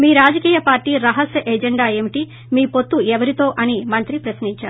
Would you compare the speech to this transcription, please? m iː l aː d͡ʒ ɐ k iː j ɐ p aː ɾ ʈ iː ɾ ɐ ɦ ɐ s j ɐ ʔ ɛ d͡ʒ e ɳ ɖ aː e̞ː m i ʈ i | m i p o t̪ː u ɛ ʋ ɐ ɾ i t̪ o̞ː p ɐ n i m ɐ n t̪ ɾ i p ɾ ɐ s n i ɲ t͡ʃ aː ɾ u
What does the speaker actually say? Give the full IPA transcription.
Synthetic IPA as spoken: m iː ɾ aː d͡ʒ ɐ k iː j ɐ p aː ɾ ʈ iː ɾ ɐ ɦ ɐ s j ɐ ʔ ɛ d͡ʒ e ɳ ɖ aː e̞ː m i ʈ i | m iː p o t̪ː u ɛ ʋ ɐ ɾ i t̪ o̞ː ʔ ɐ n i m ɐ n t̪ ɾ i p ɾ ɐ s n i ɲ t͡ʃ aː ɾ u